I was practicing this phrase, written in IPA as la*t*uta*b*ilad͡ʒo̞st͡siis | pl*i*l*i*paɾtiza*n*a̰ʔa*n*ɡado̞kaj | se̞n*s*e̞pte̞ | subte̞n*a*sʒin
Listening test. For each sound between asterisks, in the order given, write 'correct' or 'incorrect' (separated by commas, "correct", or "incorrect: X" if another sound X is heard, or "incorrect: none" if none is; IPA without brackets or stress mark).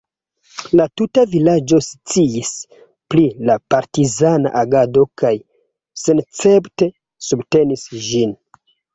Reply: correct, incorrect: v, correct, incorrect: a, correct, incorrect: none, incorrect: t͡s, incorrect: i